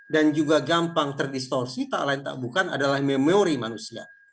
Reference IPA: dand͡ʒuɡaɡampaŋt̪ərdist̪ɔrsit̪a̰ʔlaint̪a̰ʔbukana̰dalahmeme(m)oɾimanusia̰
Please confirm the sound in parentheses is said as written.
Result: no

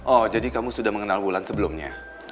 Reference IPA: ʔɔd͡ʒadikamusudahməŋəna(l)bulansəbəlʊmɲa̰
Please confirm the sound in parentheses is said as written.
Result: yes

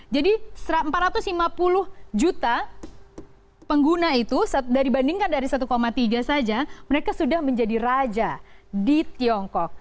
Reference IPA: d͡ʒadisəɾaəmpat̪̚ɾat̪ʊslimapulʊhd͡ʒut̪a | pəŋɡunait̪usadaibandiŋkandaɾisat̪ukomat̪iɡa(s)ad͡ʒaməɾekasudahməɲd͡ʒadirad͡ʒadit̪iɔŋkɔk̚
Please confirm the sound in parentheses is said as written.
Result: yes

